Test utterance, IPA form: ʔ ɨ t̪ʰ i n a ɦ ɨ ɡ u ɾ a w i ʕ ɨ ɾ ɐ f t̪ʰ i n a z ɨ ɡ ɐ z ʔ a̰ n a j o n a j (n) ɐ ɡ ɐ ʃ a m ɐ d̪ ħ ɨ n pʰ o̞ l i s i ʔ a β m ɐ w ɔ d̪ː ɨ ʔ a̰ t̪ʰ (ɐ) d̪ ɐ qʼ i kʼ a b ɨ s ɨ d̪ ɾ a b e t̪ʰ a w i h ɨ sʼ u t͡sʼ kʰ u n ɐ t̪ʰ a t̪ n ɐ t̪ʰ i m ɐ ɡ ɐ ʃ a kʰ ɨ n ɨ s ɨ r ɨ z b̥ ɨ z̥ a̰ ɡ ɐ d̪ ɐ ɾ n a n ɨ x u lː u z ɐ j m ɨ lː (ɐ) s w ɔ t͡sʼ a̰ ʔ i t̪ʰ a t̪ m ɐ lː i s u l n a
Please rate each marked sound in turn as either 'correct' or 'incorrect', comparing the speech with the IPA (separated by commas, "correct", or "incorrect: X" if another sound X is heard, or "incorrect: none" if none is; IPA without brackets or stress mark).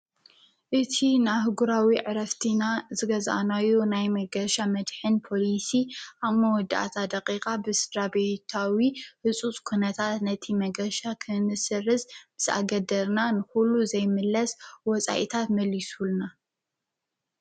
incorrect: m, incorrect: a, correct